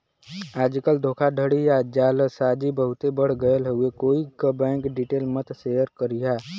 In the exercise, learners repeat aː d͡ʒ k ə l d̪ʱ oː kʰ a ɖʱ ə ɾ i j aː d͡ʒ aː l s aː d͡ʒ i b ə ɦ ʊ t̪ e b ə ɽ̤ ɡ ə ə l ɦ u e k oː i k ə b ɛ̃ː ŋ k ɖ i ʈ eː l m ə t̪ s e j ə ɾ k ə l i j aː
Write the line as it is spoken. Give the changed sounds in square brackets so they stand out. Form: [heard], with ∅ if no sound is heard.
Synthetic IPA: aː d͡ʒ k ə l d̪ʱ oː kʰ a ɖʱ ə [ɽ] i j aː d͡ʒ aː l s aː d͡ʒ i b ə ɦ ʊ t̪ e b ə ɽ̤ ɡ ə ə l ɦ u e k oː i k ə b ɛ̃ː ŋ k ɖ i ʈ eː l m ə t̪ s e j ə ɾ k ə [ɾ] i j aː